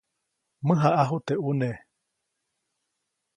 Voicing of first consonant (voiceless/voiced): voiced